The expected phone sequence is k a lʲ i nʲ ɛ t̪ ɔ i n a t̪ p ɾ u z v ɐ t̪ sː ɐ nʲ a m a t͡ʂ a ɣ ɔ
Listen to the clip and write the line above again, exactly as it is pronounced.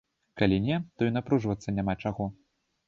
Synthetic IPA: k a lʲ i nʲ ɛ t̪ ɔ i n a p ɾ u ʐ v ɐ t̪ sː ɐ nʲ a m a t͡ʂ a ɣ ɔ